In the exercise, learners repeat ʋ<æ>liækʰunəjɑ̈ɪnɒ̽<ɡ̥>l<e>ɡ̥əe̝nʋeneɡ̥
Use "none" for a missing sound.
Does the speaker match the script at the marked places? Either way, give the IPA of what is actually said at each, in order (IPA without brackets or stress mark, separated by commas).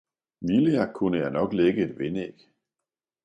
i, ɡ̥, e